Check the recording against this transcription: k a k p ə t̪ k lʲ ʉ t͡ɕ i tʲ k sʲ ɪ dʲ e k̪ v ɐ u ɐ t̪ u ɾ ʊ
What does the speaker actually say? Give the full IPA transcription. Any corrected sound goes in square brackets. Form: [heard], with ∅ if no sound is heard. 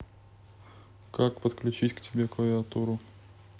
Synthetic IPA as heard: k a k p ə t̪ k lʲ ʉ t͡ɕ i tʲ k [tʲ] ɪ [bʲ] e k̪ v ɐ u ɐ t̪ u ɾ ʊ